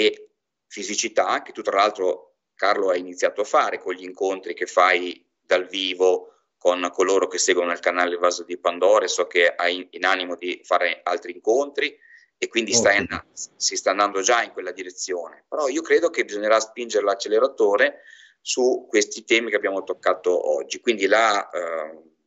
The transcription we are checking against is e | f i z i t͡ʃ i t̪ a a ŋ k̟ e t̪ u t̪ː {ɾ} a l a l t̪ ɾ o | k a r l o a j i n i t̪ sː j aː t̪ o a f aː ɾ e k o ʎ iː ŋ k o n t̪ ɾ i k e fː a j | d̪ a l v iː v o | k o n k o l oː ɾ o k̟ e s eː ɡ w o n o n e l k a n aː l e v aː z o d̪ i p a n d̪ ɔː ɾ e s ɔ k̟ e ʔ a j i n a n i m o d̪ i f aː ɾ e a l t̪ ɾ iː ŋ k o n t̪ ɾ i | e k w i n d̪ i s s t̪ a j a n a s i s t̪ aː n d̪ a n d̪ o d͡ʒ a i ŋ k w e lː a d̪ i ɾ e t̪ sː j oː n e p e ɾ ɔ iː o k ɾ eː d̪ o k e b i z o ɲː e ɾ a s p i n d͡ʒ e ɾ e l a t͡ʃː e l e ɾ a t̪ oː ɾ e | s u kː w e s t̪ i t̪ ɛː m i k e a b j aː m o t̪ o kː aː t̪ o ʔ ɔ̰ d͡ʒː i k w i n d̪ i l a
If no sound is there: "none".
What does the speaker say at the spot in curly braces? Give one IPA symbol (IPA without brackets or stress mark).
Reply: ɾ